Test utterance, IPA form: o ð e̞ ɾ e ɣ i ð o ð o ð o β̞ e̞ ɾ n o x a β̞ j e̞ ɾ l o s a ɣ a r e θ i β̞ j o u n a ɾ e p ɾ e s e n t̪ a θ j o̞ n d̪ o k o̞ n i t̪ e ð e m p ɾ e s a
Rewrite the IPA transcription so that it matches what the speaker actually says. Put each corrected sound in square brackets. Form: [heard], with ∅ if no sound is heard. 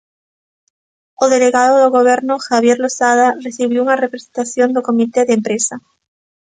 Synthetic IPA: o ð e̞ [l] e ɣ [a] ð o ð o [ɣ] o β̞ e̞ ɾ n o x a β̞ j e̞ ɾ l o s a [ð] a r e θ i β̞ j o u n a [r] e p ɾ e s e n t̪ a θ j o̞ n d̪ o k o̞ [m] i t̪ e ð e m p ɾ e s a